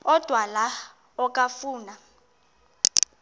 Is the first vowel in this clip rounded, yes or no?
yes